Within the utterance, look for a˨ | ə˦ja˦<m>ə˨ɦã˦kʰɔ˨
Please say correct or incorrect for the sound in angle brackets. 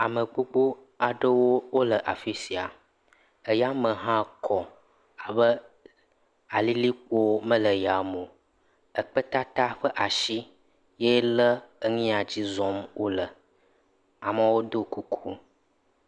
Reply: correct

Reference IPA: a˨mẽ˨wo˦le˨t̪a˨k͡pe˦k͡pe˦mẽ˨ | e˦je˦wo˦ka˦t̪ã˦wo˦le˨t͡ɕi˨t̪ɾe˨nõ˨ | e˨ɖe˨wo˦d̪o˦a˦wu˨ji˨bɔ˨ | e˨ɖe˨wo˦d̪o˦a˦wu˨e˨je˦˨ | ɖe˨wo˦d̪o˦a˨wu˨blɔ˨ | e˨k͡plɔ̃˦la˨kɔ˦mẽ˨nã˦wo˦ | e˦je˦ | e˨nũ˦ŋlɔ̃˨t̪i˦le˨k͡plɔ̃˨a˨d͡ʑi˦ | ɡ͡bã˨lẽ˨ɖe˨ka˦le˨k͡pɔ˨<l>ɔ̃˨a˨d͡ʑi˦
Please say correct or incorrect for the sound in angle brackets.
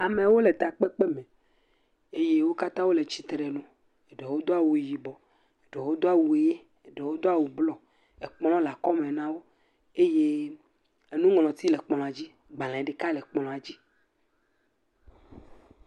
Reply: correct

